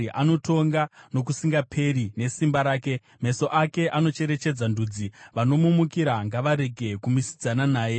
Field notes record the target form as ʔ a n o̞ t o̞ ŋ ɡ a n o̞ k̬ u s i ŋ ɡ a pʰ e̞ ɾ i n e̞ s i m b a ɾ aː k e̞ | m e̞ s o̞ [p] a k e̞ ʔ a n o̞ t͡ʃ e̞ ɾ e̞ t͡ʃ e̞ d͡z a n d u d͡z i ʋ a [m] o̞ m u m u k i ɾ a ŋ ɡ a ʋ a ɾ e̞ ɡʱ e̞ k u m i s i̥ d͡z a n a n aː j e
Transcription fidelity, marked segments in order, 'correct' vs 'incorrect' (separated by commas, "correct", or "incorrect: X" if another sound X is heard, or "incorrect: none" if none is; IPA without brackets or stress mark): incorrect: ʔ, incorrect: n